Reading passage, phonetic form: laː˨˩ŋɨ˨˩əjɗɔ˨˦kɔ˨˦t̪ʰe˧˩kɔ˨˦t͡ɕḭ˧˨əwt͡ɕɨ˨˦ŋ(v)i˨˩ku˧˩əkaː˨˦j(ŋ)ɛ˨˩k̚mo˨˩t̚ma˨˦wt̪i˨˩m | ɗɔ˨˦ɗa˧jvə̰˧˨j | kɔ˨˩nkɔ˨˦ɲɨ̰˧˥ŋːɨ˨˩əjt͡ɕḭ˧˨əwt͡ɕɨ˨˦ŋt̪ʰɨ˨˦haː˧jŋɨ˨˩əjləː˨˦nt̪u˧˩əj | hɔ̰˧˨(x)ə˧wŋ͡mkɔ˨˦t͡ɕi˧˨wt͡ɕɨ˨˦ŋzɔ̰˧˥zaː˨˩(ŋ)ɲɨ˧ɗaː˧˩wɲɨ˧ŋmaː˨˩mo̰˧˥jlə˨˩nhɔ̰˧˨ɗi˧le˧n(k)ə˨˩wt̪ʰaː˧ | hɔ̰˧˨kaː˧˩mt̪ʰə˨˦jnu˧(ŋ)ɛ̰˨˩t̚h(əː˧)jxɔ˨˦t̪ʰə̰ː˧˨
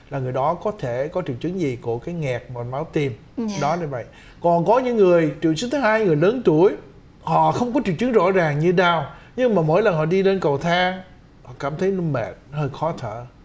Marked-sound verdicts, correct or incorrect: incorrect: z, correct, correct, correct, correct, incorrect: m, correct

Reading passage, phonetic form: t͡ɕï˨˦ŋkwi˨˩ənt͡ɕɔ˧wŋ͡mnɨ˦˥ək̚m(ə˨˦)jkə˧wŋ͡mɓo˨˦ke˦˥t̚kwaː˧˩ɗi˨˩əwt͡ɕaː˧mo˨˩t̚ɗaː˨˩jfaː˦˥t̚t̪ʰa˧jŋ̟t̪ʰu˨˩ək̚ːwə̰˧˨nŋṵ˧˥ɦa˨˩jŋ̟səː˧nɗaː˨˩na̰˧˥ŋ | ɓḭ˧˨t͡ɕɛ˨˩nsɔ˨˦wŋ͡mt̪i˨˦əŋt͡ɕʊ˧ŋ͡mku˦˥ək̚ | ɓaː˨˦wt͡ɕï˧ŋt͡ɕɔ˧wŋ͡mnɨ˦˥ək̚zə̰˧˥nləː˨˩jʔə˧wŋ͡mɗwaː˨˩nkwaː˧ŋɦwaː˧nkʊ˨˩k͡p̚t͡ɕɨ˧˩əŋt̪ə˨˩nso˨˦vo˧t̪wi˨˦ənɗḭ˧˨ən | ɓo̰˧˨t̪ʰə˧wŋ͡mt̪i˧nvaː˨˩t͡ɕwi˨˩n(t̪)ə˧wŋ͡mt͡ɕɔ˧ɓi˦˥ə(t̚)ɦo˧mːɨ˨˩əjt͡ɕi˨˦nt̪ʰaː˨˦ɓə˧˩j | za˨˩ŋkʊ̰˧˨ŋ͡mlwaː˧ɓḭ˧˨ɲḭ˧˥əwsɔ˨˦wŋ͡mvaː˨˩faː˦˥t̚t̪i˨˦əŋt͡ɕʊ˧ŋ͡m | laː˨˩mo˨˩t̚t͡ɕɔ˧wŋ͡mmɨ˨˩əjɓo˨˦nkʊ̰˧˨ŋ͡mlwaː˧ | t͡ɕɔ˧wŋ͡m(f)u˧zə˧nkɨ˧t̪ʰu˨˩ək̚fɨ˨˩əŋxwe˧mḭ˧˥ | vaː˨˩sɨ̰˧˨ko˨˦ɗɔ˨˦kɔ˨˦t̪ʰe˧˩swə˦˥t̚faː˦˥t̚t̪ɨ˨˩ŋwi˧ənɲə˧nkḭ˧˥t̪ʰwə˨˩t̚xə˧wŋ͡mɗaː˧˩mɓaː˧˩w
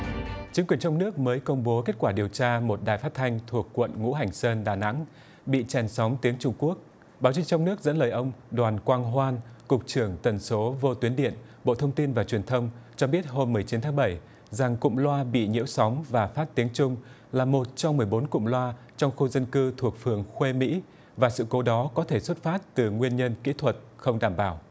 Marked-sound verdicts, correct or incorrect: incorrect: əː˨˦, incorrect: t̪ʰ, correct, incorrect: x

